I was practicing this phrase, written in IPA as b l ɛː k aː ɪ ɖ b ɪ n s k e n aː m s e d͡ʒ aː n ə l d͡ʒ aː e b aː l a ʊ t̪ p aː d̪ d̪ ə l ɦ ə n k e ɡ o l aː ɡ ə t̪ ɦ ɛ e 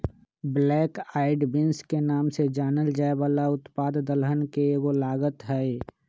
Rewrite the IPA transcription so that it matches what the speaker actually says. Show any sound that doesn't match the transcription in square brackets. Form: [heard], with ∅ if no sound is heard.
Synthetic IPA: b l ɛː k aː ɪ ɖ b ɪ n s k e n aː m s e d͡ʒ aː n ə l d͡ʒ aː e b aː l a ʊ t̪ p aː d̪ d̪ ə l ɦ ə n k e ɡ o l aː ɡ ə t̪ ɦ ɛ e